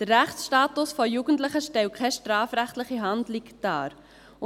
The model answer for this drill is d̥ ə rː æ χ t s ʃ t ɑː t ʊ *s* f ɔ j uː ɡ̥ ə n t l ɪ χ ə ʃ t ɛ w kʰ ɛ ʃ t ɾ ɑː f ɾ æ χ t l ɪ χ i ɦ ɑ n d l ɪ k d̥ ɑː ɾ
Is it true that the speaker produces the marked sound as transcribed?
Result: yes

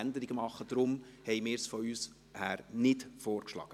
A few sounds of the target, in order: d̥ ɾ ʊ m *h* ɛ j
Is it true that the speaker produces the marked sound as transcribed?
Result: yes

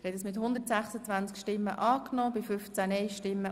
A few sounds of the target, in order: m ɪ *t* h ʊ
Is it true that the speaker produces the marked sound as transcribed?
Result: yes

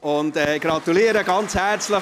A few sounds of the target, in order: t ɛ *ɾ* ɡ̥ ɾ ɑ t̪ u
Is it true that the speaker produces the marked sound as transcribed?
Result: no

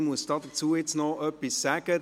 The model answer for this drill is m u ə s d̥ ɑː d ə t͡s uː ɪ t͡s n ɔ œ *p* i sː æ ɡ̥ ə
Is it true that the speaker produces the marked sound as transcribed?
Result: yes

